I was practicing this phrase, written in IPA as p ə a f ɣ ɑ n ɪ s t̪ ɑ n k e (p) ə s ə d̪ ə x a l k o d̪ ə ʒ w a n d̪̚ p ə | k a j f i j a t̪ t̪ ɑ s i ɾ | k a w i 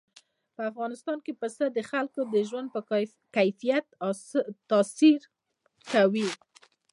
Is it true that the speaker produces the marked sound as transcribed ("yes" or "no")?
yes